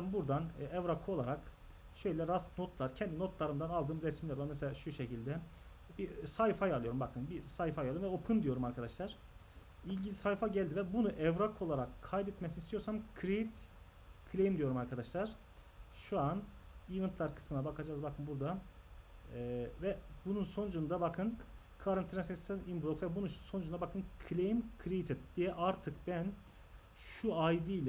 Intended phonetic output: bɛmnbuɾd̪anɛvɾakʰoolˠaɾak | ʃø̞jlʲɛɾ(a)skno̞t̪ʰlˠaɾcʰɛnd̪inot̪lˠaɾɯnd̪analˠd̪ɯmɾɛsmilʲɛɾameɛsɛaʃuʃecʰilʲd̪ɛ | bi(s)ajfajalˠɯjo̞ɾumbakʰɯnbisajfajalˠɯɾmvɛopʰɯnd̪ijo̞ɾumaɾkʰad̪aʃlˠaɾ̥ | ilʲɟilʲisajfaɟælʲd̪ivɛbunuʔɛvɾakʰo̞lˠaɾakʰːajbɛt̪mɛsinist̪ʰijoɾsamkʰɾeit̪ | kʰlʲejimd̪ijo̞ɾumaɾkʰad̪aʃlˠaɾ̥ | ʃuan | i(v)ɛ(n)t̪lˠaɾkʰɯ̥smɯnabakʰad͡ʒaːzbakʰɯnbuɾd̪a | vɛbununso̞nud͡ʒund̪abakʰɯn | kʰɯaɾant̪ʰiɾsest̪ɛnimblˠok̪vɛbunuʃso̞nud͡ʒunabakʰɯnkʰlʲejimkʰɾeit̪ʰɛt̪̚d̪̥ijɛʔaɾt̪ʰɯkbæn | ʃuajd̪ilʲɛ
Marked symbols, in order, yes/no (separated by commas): yes, yes, yes, yes